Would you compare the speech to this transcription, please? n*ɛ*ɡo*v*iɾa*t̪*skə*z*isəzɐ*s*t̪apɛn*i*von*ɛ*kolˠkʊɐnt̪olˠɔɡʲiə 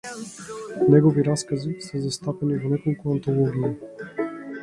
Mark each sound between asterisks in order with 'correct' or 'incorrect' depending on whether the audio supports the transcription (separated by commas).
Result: correct, correct, incorrect, correct, correct, correct, correct